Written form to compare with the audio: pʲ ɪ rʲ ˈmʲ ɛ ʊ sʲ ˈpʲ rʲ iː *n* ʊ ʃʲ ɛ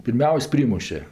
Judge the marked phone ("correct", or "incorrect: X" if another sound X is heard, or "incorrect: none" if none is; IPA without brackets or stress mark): incorrect: m